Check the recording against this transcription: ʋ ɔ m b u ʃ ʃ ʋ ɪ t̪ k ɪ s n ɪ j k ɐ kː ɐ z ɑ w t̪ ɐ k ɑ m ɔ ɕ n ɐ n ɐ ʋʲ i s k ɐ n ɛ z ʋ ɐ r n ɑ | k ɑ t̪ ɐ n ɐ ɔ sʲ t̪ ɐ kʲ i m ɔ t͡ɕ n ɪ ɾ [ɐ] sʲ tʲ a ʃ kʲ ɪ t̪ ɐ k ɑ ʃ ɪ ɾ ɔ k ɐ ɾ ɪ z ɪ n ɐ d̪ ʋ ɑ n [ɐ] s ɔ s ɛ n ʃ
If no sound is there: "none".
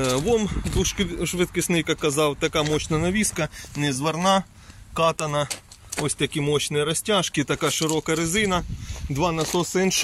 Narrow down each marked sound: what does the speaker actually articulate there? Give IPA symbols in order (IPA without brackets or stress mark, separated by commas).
ɐ, ɐ